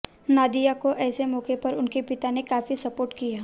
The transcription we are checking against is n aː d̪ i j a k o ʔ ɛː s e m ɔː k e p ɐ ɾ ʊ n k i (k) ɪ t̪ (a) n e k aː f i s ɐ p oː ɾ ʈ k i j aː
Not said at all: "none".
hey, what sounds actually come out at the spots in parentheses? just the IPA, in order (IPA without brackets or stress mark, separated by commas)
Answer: p, a